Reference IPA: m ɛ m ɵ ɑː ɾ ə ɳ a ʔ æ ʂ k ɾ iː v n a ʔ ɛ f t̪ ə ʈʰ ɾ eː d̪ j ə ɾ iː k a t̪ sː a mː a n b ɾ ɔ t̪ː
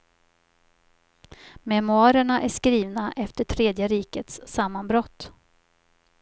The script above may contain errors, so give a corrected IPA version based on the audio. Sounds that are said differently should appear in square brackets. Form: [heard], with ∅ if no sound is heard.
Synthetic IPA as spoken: m ɛ m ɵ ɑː ɾ ə ɳ a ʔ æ ʂ k ɾ iː v n a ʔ ɛ f t̪ ə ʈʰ ɾ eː d̪ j ə ɾ iː k [ə] t̪ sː a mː a n b ɾ ɔ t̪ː